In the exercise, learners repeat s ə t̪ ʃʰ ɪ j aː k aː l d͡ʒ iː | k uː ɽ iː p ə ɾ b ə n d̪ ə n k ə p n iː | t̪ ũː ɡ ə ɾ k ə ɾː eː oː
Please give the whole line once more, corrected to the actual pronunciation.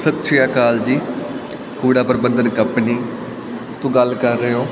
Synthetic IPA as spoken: s ə t̪ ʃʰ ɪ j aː k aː l d͡ʒ iː | k uː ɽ aː p ə ɾ b ə n d̪ ə n k ə p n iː | t̪ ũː ɡ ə l k ə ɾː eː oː